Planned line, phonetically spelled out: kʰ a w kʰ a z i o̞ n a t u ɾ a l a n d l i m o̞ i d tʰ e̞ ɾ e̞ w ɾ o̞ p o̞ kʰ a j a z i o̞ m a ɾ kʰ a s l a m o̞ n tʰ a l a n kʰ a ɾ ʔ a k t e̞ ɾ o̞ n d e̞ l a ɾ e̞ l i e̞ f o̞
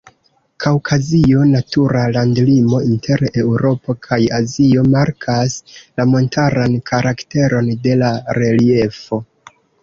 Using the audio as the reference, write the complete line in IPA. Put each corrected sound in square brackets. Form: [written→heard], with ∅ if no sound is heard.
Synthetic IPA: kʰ a w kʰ a z i o̞ n a t u ɾ a l a n d l i m o̞ i [d→n] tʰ e̞ ɾ e̞ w ɾ o̞ p o̞ kʰ a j a z i o̞ m a ɾ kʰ a s l a m o̞ n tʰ a [l→ɾ] a n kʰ a ɾ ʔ a k t e̞ ɾ o̞ n d e̞ l a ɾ e̞ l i e̞ f o̞